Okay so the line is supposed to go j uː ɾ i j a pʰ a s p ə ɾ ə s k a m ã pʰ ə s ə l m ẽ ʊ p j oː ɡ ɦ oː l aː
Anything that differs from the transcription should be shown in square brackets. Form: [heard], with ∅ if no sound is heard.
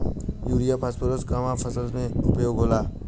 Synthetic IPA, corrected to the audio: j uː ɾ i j a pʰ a s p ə ɾ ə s k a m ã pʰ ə s ə l m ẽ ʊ p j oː ɡ ɦ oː l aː